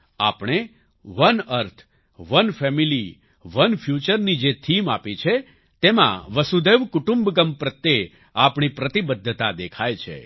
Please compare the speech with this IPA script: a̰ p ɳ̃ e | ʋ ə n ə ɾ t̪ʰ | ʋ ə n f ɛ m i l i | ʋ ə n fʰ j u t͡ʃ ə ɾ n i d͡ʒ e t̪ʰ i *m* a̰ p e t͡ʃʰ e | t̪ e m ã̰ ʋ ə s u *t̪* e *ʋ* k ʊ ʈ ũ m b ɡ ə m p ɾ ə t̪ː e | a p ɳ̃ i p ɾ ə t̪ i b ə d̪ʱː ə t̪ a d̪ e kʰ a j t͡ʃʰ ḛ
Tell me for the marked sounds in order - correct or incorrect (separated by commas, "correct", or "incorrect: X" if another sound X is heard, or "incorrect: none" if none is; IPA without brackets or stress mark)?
correct, incorrect: d̪, correct